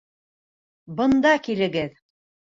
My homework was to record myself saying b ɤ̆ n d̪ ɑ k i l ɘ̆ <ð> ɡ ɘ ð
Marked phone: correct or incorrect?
incorrect